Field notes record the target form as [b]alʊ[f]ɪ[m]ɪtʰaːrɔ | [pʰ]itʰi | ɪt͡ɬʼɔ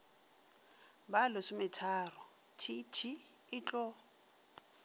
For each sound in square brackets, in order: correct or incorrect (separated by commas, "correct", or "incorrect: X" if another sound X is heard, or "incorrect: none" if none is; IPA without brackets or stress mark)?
correct, incorrect: s, correct, incorrect: tʰ